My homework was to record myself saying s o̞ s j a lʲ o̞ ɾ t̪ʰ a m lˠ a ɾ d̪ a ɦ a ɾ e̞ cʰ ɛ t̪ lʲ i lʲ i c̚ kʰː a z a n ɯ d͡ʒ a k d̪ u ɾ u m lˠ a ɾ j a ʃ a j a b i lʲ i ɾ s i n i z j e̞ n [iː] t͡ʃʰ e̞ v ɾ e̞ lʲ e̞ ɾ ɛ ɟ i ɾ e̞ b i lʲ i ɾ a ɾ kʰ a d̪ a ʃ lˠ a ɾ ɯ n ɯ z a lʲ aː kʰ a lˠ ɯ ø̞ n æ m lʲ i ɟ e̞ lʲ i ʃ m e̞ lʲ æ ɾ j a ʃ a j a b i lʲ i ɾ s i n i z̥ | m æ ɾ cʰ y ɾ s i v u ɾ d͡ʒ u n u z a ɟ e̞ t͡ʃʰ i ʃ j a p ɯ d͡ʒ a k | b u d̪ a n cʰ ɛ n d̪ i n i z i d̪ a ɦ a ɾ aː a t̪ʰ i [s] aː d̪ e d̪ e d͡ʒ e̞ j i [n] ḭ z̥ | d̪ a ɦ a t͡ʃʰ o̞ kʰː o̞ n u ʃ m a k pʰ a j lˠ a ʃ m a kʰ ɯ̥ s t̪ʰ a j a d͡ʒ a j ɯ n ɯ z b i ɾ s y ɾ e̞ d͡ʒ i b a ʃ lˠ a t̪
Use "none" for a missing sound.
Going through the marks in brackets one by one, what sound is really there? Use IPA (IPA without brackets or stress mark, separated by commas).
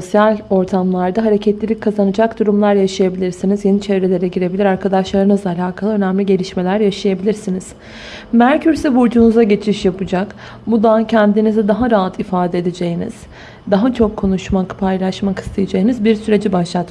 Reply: i, f, n